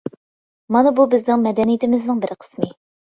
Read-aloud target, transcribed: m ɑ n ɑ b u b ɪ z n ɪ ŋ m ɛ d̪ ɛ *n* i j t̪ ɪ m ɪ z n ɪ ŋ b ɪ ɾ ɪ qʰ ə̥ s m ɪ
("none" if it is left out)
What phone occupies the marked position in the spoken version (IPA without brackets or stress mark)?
n